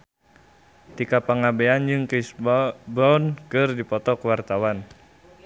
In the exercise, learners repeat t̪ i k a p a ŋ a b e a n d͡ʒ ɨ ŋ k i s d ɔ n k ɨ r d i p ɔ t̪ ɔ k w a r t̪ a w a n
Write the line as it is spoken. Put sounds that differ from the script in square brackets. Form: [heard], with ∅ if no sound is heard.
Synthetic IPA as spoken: t̪ i k a p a ŋ a b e a n d͡ʒ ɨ ŋ k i s [b] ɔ n k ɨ r d i p ɔ t̪ ɔ k w a r t̪ a w a n